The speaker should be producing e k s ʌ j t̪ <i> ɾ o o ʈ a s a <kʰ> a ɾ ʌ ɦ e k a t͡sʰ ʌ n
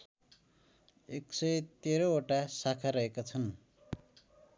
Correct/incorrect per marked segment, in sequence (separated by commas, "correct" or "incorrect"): incorrect, correct